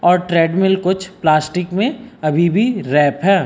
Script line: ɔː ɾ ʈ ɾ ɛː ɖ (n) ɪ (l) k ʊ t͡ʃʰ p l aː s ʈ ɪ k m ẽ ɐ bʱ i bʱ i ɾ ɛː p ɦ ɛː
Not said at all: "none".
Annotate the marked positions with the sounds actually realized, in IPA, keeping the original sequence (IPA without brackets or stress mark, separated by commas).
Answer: m, l